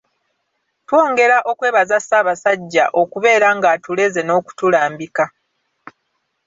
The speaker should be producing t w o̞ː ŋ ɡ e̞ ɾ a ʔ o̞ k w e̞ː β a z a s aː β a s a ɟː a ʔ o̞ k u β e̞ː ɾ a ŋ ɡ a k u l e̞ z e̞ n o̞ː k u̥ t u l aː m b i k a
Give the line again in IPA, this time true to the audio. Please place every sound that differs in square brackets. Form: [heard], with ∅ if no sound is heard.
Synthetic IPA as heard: t w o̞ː ŋ ɡ e̞ ɾ a ʔ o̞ k w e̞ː β a z a s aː β a s a ɟː a ʔ o̞ k u β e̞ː ɾ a ŋ ɡ a [t] u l e̞ z e̞ n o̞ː k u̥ t u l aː m b i k a